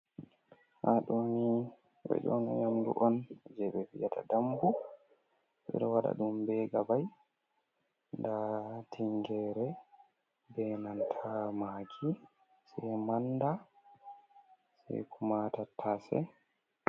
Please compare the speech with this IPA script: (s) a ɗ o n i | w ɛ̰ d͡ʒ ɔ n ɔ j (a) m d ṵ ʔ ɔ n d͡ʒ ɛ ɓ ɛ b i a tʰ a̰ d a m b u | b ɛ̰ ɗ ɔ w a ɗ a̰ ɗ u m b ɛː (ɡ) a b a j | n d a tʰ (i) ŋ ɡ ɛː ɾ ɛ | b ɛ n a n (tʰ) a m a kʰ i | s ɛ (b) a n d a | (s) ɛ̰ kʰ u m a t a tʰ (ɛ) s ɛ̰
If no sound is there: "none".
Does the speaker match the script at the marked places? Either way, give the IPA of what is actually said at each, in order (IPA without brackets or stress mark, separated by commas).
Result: h, a, ɡ, i, tʰ, m, s, a